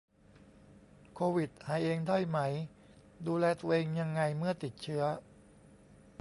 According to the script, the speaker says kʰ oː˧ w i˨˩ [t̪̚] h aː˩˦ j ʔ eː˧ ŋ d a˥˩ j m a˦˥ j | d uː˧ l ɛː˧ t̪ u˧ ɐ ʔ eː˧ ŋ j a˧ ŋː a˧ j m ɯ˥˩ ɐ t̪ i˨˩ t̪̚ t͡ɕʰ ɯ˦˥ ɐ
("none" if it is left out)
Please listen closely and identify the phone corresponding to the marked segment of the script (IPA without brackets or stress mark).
t̪̚